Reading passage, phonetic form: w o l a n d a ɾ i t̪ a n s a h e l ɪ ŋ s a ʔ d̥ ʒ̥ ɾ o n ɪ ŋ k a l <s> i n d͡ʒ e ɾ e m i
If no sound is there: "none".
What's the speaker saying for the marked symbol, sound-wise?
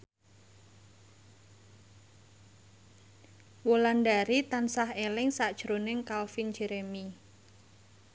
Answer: f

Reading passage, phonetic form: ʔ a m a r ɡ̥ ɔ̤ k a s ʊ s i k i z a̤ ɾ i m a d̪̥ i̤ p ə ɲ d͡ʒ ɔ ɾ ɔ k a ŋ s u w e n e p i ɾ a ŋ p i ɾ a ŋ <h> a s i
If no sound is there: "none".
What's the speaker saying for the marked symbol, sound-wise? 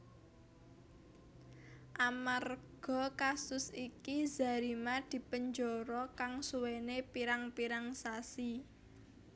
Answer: s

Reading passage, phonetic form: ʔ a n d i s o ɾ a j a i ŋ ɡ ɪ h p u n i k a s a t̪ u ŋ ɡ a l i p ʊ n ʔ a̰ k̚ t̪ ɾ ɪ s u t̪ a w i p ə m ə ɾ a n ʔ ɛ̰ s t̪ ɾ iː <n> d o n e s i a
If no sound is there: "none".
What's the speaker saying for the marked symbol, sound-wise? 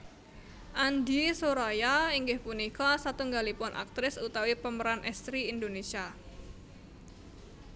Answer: n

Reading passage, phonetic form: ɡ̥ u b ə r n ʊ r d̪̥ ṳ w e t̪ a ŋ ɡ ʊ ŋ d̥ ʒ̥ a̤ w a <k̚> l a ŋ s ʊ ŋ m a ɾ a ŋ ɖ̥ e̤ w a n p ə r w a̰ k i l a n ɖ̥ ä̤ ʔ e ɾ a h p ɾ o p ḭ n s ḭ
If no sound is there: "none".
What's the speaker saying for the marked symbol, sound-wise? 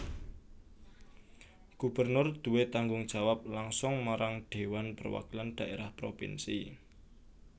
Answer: p̚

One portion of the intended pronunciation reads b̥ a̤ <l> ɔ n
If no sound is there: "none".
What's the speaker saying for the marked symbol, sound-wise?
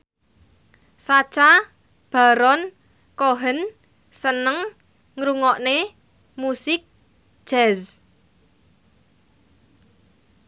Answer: ɾ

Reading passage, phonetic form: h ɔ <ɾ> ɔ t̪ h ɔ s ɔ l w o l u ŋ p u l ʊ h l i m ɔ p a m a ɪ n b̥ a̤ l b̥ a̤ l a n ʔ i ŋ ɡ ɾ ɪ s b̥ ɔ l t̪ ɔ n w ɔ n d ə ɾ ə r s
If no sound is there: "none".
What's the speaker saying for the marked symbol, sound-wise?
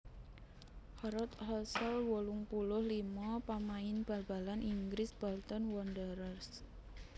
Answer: ɾ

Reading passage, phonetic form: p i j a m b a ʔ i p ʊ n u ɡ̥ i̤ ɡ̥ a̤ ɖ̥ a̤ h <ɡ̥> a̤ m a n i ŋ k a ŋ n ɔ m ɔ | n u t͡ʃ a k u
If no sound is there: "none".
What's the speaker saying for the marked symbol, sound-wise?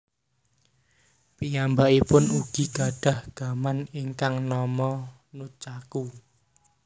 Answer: ɡ̥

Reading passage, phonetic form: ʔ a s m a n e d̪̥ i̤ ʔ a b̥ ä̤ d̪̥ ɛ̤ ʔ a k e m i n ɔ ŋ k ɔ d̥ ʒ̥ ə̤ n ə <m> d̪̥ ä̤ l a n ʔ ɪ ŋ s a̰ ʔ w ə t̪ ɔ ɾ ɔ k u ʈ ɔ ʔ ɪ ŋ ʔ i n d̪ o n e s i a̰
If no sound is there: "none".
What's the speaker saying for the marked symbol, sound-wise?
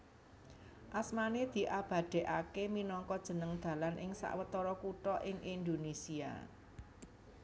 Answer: ŋ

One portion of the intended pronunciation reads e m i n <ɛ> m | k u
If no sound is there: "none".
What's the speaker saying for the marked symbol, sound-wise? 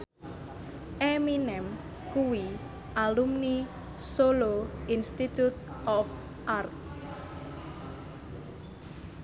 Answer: ɛ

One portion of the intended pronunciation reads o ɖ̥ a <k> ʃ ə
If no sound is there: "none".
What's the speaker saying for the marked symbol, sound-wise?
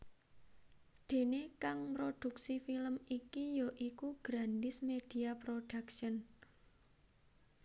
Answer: k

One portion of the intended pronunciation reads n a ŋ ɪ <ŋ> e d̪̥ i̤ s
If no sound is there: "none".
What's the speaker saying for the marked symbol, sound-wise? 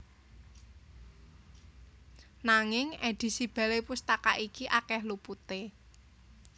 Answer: ŋ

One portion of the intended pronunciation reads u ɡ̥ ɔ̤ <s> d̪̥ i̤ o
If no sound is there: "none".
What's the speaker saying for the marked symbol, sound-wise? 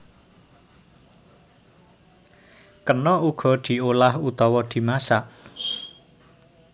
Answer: none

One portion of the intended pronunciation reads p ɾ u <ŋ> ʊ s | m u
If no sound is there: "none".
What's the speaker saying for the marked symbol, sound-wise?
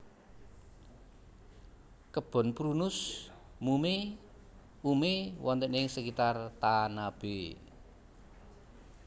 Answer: n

